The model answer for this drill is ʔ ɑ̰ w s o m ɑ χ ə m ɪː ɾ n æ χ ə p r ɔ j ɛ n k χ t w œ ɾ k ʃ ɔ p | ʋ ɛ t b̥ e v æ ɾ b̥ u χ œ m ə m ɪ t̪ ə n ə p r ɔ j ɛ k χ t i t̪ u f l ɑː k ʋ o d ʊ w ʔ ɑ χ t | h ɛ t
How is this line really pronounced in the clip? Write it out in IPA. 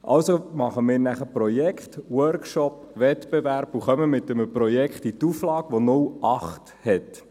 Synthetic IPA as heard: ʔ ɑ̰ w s o m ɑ χ ə m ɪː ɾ n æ χ ə p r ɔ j ɛ k χ t w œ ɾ k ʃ ɔ p | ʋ ɛ t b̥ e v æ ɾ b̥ u χ œ m ə m ɪ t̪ ə m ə p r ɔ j ɛ k χ t i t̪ u f l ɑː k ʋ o n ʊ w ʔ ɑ χ t | h ɛ t